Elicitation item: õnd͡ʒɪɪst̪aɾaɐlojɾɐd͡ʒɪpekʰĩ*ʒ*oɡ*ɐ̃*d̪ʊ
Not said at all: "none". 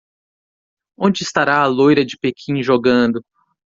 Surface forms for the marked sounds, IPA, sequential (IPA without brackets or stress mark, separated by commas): ʒ, ɐ̃